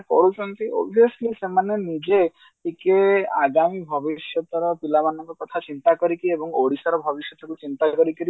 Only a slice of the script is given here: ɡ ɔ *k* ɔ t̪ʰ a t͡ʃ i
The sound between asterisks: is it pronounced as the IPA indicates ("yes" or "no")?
yes